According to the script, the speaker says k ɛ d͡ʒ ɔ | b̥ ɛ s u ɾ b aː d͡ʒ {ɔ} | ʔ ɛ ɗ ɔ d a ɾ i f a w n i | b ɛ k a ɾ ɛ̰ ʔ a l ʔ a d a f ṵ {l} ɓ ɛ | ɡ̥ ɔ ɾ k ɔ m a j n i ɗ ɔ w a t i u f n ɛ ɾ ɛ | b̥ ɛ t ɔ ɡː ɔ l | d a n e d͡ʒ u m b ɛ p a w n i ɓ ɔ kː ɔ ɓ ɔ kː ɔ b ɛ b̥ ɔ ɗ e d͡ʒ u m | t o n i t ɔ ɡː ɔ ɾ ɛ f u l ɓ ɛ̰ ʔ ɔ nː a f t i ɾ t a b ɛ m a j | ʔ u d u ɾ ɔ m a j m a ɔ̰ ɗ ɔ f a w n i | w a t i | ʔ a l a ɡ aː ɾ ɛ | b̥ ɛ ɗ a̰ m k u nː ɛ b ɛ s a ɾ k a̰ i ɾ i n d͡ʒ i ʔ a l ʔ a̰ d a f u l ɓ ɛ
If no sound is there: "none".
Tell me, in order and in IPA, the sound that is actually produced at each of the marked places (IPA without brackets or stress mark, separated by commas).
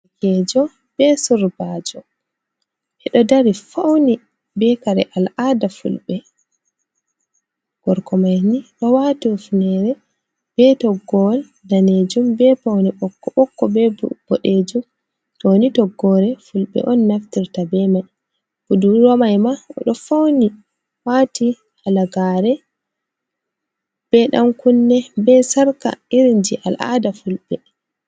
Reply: ɔ, l